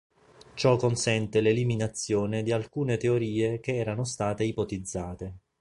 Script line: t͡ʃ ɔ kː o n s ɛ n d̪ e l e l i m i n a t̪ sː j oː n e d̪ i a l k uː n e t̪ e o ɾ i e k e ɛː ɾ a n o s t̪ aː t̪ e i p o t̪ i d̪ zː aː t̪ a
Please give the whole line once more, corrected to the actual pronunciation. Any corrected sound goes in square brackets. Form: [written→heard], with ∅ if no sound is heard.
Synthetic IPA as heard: t͡ʃ ɔ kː o n s ɛ n [d̪→t̪] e l e l i m i n a t̪ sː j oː n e d̪ i a l k uː n e t̪ e o ɾ [i→iː] e k e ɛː ɾ a n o s t̪ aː t̪ e i p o t̪ i d̪ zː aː t̪ [a→e]